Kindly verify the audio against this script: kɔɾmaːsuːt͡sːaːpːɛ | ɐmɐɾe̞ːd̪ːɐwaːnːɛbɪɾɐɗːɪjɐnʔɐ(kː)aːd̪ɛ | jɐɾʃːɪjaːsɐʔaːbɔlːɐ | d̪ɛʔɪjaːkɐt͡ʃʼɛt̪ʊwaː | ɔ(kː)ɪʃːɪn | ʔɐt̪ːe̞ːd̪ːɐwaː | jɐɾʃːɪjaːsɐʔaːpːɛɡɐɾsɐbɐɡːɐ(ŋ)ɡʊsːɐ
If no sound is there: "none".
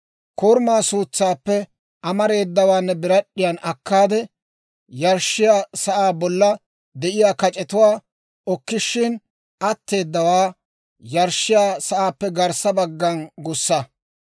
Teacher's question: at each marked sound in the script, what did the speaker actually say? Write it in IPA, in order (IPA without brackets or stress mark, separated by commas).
kː, kː, n